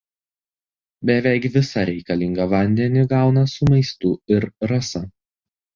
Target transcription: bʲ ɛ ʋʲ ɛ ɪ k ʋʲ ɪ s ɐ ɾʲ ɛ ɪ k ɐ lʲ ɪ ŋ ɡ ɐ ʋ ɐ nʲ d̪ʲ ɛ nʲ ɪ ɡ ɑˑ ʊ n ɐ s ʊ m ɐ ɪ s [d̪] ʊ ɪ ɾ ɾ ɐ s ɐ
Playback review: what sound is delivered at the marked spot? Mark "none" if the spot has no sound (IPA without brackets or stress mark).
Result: t̪